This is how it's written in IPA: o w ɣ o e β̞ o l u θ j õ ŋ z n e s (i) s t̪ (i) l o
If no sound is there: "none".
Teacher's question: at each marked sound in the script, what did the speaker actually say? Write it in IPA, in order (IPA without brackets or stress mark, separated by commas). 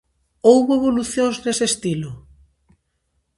e, i